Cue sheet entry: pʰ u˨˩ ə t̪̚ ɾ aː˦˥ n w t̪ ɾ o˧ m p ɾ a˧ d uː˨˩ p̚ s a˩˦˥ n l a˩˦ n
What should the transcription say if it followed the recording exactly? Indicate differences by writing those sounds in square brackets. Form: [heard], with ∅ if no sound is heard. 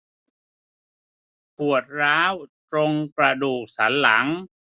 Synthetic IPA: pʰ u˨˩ ə t̪̚ ɾ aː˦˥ [∅] w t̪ ɾ o˧ [ŋ] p ɾ a˧ d uː˨˩ [k̚] s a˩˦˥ n l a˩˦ [ŋ]